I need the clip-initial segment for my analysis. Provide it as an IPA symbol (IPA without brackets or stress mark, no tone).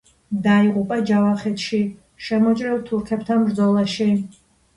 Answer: d̪